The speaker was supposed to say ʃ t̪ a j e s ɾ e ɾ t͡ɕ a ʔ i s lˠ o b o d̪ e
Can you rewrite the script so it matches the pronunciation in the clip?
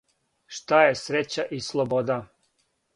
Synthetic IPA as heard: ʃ t̪ a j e s ɾ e t͡ɕ a ʔ i s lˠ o b o d̪ a